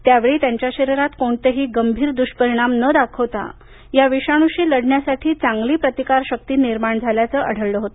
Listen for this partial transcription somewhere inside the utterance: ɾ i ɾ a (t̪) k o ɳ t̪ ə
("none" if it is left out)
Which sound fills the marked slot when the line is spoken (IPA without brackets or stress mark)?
t̪